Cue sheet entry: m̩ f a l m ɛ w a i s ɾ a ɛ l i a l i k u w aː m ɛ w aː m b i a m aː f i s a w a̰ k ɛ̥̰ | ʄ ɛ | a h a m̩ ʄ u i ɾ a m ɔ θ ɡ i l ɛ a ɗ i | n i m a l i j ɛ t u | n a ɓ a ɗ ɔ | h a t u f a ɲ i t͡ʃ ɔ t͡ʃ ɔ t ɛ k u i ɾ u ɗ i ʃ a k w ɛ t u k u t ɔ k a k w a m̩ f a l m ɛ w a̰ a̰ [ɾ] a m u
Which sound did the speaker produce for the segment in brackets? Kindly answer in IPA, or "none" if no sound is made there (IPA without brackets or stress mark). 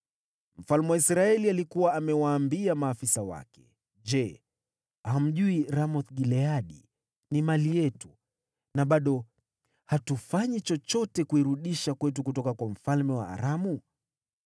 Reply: ɾ